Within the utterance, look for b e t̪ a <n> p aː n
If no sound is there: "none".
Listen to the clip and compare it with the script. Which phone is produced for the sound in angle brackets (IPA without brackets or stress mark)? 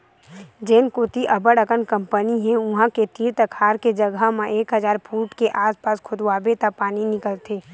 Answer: none